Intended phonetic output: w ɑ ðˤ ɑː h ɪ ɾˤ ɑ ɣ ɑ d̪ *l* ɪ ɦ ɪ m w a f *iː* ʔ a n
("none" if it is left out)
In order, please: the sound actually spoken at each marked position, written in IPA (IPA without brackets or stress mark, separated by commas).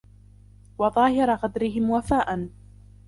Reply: ɾ, aː